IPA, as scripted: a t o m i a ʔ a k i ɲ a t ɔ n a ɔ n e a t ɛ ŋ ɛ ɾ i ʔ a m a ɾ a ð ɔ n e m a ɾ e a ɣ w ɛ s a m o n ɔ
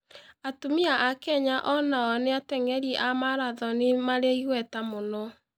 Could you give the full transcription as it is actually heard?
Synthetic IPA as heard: a t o m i a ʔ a k ɛ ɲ a ʔ ɔ n a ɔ n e a t ɛ ŋ ɛ ɾ i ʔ a m a ɾ a ð ɔ n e m a ɾ e i ɣ w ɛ t a m o n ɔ